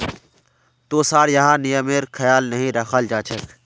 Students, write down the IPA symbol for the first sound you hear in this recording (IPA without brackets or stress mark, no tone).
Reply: t̪